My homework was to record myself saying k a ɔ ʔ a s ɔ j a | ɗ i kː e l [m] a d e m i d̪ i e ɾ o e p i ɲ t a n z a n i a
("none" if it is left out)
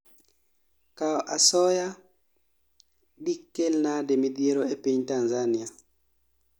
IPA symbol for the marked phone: n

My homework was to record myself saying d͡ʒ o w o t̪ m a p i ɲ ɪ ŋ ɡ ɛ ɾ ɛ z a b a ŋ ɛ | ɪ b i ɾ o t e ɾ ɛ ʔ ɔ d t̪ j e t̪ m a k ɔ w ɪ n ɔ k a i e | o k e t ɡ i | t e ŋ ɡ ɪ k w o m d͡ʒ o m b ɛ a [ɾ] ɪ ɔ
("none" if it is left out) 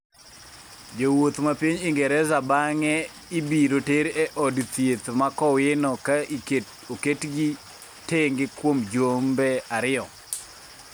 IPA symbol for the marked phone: ɾ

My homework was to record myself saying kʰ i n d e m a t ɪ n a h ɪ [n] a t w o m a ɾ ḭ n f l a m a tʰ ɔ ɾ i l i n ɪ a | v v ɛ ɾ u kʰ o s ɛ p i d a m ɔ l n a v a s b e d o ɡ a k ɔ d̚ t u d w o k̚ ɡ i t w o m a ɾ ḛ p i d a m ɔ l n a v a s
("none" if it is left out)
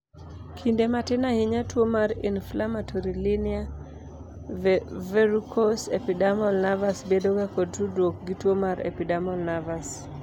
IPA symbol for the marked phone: ɲ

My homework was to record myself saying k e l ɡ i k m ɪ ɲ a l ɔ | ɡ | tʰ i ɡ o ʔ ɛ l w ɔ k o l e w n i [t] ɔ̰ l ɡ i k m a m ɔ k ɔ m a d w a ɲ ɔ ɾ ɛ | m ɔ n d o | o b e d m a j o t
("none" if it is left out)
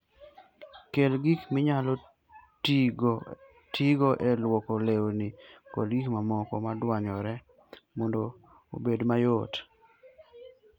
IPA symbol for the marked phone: k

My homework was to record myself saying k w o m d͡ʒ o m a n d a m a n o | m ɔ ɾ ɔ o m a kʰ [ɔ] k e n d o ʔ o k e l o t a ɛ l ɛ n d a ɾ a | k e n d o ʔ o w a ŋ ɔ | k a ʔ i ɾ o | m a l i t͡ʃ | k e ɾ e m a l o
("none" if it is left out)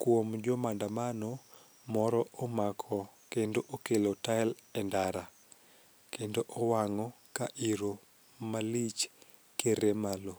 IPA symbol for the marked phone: ɔ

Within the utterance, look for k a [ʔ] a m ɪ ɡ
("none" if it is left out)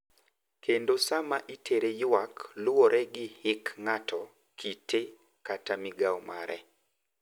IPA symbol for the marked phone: t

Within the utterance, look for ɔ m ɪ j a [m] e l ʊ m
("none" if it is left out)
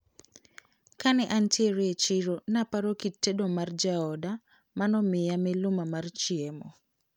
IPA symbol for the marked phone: m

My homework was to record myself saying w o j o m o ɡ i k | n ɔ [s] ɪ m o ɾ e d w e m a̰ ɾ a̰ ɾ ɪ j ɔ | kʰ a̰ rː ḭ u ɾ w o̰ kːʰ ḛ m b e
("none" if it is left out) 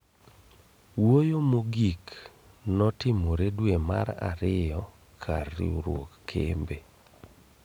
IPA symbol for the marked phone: t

